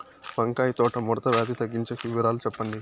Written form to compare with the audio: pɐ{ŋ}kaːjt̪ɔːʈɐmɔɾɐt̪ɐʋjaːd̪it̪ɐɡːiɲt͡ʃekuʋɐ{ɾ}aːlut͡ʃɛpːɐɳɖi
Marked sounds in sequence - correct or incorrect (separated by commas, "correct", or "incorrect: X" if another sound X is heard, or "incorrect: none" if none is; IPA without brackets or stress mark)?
correct, correct